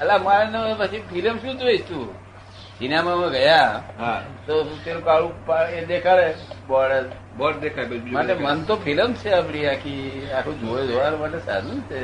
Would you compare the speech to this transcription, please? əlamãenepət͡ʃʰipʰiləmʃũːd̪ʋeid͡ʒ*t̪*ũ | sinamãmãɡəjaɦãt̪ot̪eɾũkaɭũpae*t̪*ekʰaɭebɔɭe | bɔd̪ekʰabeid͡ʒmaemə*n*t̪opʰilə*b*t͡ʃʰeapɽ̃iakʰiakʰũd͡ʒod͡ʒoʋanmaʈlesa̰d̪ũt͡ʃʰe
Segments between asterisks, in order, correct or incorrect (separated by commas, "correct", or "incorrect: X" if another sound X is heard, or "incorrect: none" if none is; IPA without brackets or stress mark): correct, incorrect: d̪, correct, incorrect: m